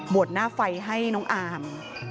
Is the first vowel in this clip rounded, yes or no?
yes